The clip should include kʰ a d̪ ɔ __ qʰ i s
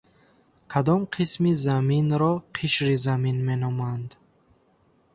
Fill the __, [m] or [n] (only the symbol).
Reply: m